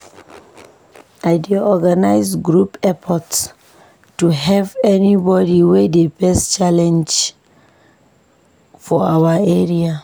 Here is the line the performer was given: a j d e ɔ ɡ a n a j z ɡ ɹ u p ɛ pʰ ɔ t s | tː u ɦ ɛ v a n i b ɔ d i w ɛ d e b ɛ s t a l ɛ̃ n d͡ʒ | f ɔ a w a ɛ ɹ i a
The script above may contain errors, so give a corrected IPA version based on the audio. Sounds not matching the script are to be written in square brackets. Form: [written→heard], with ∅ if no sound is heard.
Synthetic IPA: a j d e ɔ ɡ a n a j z ɡ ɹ u p ɛ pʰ ɔ t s | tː u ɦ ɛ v [a→ɛ] n i b ɔ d i w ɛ d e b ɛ s [t→t͡ʃ] a l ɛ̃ n d͡ʒ | f ɔ a w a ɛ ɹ i a